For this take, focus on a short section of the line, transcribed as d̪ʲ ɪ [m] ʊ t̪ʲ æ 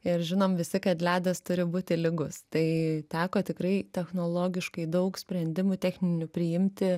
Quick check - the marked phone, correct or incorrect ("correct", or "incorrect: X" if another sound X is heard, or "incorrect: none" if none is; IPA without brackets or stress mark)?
correct